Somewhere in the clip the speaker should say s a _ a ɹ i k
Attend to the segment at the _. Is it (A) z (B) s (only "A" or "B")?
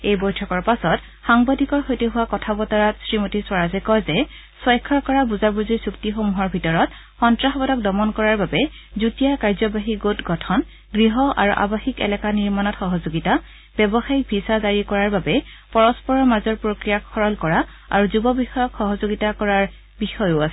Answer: A